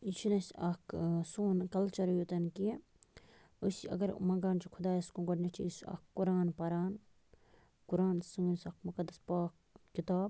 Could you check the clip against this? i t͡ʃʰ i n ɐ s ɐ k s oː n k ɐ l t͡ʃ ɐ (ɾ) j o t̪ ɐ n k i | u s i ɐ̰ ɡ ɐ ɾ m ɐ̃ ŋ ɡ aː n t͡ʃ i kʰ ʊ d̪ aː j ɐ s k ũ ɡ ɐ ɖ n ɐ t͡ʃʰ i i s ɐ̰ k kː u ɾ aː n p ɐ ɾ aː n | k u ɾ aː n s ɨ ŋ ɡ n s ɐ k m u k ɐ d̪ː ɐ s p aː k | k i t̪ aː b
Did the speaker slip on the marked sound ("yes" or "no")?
no